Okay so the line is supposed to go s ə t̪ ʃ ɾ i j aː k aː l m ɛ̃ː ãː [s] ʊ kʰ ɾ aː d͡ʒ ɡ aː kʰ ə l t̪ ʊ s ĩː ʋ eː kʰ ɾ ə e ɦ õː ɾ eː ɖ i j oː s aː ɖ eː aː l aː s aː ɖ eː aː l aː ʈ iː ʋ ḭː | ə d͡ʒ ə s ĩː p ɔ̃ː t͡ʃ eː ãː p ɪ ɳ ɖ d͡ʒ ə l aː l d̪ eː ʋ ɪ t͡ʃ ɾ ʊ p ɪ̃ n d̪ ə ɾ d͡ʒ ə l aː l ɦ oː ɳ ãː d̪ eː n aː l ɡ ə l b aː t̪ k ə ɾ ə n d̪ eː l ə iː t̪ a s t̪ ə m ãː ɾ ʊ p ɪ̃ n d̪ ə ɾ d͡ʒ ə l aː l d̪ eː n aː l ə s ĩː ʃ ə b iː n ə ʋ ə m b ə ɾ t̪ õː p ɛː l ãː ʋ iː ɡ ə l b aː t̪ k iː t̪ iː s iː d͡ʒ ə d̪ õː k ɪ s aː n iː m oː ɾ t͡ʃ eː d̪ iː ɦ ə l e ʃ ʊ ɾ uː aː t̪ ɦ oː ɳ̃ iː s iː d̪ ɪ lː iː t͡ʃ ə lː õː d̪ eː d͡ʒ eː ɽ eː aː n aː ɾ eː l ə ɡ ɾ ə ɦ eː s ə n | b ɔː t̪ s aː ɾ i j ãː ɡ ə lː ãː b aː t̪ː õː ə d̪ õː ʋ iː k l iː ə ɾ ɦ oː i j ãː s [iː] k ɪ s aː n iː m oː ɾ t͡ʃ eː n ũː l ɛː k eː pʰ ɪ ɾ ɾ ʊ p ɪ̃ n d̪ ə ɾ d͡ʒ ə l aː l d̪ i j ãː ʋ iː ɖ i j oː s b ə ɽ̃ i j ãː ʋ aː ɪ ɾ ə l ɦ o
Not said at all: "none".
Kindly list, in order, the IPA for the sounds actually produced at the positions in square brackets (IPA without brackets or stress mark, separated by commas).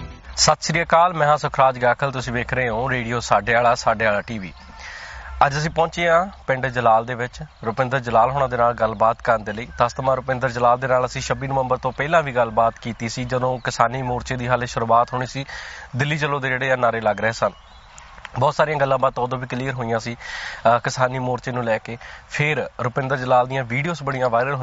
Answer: s, iː